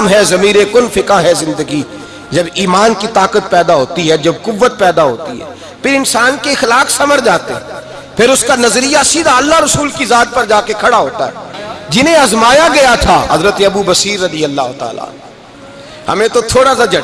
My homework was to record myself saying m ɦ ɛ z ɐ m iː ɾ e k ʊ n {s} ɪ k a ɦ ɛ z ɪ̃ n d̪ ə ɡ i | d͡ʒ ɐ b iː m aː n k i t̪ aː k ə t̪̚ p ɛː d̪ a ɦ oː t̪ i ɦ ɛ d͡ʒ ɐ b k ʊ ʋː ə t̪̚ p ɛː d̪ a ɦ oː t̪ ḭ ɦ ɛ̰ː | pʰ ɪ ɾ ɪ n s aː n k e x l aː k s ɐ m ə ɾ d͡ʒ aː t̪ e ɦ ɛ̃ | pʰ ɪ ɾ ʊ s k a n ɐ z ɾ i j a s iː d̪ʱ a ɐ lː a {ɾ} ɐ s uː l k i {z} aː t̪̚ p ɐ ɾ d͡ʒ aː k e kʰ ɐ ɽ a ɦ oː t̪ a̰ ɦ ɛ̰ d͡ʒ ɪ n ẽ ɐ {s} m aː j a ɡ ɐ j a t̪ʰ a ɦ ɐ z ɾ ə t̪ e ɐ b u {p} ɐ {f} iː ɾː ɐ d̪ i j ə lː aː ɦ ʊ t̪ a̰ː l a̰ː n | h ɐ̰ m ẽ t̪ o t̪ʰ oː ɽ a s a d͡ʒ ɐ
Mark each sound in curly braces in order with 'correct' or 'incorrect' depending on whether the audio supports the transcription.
incorrect: f, correct, correct, incorrect: z, incorrect: b, incorrect: s

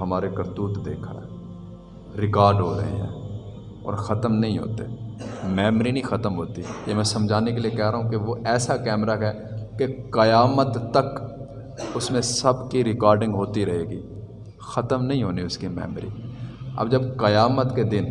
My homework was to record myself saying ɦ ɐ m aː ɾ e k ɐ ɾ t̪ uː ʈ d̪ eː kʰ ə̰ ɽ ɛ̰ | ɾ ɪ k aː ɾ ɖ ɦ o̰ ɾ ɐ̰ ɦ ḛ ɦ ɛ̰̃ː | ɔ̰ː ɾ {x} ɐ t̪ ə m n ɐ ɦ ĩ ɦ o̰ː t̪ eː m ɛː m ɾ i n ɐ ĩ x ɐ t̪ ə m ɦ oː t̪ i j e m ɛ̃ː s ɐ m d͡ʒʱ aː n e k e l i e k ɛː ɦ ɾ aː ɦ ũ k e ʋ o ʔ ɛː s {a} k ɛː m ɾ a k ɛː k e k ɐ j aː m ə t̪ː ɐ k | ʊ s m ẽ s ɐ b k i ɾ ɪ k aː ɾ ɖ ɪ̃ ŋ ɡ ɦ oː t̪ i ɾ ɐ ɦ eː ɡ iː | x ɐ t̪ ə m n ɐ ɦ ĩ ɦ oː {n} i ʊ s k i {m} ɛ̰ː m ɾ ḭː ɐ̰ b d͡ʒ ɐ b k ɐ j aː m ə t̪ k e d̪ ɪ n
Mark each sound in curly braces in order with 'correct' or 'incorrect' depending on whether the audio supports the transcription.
correct, correct, correct, correct

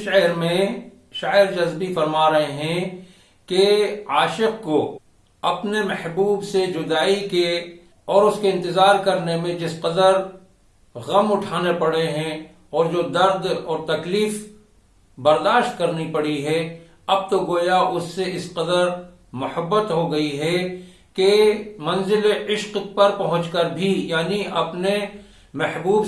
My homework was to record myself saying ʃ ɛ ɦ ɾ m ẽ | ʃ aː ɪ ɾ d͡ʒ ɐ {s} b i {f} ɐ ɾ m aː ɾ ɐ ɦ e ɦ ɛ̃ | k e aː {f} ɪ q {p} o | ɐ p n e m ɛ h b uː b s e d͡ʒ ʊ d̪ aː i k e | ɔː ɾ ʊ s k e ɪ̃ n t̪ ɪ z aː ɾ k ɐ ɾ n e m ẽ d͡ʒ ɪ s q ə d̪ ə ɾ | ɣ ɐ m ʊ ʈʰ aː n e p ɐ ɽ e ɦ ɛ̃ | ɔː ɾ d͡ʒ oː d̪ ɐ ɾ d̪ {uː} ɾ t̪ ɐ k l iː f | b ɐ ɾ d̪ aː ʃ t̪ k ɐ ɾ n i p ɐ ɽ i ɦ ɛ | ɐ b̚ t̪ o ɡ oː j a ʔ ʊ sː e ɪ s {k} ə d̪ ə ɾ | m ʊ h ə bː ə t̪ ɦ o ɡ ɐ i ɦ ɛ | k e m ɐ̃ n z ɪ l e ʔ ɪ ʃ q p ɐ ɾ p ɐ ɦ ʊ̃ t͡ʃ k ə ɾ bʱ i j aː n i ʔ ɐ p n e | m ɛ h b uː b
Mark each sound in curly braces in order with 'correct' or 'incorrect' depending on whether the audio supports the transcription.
incorrect: z, correct, incorrect: ʃ, incorrect: k, incorrect: ɔː, incorrect: q

